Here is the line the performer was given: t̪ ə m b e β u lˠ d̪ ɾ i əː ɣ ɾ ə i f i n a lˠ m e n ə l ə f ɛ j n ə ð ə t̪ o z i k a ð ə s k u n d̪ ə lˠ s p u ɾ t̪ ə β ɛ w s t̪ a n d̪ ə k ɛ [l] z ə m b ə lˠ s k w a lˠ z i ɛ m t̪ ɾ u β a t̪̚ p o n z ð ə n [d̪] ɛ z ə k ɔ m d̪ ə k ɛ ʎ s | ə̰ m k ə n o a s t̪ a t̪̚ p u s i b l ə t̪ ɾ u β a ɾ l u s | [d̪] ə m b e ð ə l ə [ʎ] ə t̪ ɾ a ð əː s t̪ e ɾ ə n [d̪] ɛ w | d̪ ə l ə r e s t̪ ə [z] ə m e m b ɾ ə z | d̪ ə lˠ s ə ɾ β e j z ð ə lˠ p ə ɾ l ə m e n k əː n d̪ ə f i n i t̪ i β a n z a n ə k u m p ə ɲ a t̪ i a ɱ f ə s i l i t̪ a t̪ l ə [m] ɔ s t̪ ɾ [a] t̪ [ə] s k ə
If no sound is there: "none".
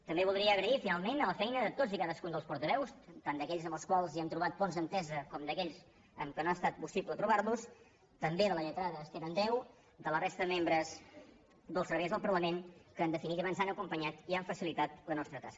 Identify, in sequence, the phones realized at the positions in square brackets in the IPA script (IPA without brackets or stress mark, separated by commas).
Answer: ʎ, t̪, t̪, ʎ, d̪, ð, n, ə, a